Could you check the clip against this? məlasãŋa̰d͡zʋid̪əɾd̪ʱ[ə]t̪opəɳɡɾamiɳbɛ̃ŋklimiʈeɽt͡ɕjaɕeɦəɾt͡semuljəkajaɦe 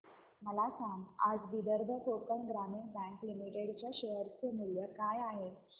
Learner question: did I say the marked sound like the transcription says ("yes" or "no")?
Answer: yes